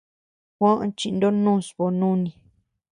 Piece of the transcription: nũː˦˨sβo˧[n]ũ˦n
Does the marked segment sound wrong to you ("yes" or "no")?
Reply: no